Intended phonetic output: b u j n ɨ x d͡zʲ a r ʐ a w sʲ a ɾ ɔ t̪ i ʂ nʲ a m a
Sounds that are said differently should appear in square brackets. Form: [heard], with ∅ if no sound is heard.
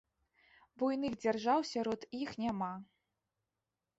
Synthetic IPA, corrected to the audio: b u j n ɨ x d͡zʲ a r ʐ a w sʲ a ɾ ɔ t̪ i [x] nʲ a m a